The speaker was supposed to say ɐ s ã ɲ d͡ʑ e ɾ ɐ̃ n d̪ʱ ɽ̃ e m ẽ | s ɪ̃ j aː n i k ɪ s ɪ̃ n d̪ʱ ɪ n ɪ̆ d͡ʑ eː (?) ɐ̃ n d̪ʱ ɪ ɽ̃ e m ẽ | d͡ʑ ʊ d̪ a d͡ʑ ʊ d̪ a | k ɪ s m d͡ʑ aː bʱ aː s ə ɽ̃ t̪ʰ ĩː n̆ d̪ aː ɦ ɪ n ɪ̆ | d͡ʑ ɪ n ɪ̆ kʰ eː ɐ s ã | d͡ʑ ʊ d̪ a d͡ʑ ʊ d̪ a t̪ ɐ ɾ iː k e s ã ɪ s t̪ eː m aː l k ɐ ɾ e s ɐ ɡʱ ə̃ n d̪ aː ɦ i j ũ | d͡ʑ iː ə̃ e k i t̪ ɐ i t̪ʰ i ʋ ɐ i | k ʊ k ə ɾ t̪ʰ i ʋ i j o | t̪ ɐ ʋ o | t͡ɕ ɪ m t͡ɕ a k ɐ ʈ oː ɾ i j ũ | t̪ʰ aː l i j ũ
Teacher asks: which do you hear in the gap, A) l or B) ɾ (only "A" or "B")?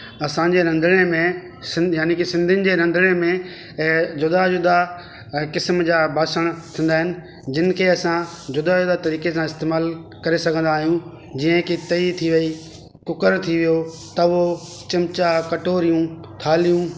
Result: B